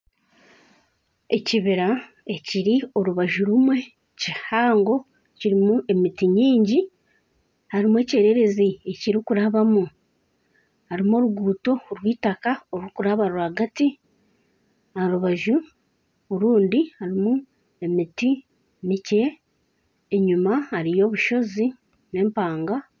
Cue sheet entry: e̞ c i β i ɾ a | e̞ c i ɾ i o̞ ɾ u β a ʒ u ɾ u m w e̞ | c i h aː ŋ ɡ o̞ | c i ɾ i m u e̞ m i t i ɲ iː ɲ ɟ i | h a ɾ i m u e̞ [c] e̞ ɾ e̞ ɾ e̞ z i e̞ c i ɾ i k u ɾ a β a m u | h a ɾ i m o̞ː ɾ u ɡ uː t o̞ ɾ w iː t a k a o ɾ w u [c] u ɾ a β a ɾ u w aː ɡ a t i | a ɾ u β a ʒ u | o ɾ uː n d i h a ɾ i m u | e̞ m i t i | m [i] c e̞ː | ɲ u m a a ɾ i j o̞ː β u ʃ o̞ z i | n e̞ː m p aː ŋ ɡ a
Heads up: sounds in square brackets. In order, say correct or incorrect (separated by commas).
correct, incorrect, correct